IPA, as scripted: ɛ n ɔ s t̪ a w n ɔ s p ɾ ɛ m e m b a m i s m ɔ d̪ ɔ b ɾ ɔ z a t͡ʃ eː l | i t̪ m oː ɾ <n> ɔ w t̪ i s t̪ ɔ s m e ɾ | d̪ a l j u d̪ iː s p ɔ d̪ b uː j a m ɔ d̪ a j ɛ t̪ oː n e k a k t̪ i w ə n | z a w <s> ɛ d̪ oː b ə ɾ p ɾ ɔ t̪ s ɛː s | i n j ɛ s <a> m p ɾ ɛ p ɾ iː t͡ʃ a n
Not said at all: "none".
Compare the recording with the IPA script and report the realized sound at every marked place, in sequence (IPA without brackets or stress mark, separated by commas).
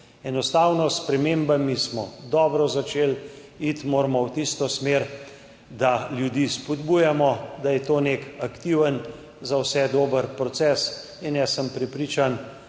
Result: m, s, ə